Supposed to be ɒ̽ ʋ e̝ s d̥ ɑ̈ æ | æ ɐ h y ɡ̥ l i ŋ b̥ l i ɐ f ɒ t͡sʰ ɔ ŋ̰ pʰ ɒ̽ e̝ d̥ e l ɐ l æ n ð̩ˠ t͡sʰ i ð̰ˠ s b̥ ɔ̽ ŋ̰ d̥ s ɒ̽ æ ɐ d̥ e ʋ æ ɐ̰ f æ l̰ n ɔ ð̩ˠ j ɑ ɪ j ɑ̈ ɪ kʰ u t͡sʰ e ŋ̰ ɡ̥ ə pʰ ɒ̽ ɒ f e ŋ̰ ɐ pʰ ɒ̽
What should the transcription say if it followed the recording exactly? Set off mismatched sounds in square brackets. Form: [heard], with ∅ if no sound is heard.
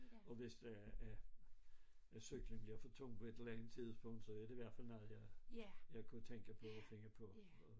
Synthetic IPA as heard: ɒ̽ ʋ e̝ s d̥ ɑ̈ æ | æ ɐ [s] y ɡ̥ l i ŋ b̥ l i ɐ f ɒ t͡sʰ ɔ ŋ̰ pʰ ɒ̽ e̝ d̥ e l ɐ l æ n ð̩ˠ t͡sʰ i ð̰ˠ s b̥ ɔ̽ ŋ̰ d̥ s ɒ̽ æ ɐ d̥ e ʋ æ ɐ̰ f æ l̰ n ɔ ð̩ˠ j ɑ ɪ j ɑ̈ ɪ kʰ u t͡sʰ e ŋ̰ ɡ̥ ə pʰ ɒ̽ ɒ f e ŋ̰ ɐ pʰ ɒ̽